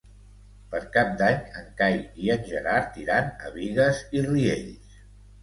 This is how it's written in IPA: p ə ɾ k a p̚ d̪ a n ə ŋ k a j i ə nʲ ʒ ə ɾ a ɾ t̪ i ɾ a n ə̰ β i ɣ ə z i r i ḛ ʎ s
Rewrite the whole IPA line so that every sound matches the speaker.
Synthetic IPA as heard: p ə ɾ k a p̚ d̪ a ɲ ə ŋ k a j i ə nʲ ʒ ə ɾ a ɾ t̪ i ɾ a n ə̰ β i ɣ ə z i r i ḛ ʎ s